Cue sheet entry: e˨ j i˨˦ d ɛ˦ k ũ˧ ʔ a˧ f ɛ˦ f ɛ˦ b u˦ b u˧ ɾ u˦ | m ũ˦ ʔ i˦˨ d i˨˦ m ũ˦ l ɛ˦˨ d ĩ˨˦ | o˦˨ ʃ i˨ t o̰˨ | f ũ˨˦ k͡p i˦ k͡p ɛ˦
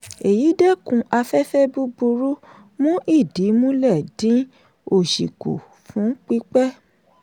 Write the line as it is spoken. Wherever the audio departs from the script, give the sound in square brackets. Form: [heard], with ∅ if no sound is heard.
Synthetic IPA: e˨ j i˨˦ d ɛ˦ k ũ˧ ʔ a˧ f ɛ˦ f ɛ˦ b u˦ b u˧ ɾ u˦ | m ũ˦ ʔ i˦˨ d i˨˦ m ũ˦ l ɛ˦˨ d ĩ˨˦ | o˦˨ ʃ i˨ [k] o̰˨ | f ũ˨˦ k͡p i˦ k͡p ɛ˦